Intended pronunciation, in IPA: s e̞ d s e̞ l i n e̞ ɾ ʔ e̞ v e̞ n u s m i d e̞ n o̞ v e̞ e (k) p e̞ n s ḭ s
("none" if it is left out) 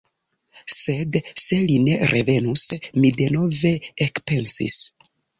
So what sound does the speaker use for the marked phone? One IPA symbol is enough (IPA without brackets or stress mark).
k